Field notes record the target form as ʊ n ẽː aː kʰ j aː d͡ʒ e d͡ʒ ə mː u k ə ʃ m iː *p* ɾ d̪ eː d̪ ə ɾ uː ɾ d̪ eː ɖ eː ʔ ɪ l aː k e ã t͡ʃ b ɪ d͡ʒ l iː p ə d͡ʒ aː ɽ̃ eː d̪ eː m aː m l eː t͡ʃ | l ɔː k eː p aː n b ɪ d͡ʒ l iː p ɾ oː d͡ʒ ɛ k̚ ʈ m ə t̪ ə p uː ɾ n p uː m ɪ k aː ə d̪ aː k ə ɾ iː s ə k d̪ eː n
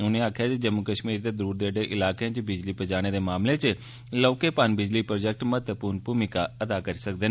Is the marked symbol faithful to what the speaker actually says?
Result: no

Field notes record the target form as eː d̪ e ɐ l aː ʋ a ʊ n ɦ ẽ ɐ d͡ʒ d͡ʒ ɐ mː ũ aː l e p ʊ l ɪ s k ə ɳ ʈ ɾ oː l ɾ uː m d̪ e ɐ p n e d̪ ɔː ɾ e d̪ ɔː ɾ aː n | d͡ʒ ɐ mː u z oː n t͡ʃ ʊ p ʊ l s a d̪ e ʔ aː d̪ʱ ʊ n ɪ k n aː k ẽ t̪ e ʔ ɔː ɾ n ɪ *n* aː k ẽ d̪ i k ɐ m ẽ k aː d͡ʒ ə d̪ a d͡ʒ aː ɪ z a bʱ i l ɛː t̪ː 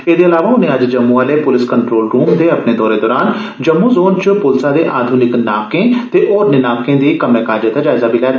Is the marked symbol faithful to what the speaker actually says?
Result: yes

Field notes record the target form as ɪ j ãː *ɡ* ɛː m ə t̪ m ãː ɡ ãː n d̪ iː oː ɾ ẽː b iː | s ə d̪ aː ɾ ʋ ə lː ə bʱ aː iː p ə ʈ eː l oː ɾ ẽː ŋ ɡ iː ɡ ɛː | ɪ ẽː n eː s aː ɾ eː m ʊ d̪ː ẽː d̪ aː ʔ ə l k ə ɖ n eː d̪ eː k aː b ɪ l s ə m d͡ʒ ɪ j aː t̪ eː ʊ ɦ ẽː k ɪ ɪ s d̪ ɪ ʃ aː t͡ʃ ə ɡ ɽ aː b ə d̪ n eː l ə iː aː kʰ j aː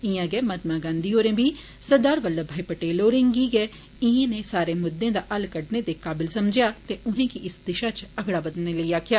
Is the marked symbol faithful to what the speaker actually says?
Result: yes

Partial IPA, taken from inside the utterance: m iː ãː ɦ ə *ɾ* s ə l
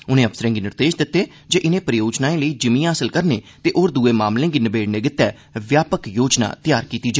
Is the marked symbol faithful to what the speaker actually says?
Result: no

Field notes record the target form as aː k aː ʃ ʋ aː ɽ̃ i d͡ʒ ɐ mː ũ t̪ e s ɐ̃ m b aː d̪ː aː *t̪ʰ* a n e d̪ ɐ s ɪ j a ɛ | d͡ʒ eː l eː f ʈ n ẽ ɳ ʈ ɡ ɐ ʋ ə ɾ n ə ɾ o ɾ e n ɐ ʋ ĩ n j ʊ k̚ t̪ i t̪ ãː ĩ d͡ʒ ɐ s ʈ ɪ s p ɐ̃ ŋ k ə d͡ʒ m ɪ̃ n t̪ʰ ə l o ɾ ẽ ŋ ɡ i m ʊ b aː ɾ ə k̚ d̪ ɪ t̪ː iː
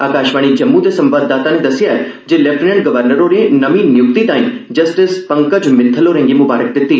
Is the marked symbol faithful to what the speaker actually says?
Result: no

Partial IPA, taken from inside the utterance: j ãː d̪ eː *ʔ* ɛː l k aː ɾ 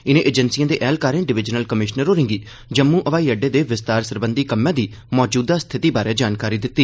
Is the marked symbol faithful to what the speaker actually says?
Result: yes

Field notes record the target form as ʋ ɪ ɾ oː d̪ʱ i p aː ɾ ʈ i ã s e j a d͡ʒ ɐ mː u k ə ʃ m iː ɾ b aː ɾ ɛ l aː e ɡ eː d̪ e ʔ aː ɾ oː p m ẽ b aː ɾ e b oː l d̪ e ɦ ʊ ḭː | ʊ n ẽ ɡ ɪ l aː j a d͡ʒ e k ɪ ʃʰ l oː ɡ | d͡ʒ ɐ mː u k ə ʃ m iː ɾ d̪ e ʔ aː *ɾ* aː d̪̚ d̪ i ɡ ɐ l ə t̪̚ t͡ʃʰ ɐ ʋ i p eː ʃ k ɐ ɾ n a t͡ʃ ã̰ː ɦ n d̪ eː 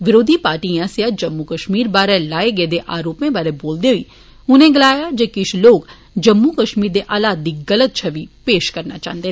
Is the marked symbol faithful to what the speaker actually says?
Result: no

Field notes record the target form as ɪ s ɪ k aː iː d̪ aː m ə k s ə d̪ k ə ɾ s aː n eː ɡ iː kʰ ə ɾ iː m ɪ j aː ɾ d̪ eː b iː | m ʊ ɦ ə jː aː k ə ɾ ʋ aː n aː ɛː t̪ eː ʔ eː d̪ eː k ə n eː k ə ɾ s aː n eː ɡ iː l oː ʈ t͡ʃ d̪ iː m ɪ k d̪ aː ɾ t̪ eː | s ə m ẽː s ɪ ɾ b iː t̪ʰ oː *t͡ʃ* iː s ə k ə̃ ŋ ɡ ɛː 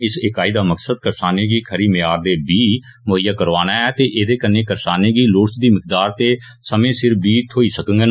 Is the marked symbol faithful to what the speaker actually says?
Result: no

